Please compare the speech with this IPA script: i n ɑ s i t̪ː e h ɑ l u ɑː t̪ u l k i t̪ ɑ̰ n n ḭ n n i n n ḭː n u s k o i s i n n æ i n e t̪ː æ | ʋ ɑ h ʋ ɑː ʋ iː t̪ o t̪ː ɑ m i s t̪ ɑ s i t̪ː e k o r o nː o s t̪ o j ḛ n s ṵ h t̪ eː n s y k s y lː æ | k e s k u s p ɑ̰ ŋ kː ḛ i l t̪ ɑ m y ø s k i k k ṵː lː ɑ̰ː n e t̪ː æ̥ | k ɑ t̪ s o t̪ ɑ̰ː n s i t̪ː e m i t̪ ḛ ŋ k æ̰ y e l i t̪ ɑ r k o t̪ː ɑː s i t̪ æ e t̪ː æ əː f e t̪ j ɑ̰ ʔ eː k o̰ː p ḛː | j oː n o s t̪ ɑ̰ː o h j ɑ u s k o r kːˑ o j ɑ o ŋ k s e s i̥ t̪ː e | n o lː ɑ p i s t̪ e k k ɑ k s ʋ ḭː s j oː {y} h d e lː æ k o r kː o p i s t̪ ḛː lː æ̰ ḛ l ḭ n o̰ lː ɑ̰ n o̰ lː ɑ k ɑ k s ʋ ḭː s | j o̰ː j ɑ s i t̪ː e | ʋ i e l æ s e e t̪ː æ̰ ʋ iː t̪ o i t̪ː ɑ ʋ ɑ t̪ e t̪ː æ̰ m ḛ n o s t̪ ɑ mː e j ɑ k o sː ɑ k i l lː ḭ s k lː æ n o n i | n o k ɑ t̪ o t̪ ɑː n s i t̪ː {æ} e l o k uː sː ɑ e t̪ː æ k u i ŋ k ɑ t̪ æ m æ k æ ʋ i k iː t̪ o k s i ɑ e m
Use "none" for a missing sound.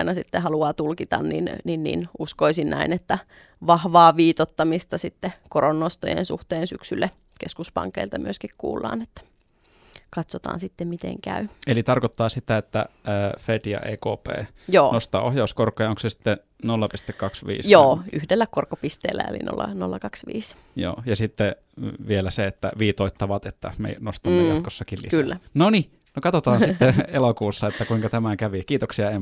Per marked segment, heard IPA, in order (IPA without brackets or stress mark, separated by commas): y, e